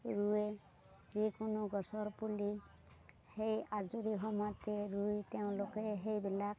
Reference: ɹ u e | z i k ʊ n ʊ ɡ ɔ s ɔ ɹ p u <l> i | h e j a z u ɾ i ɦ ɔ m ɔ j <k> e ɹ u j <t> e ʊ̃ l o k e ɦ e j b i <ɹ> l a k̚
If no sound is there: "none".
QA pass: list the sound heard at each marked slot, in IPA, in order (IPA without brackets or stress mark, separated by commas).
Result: l, t, t, none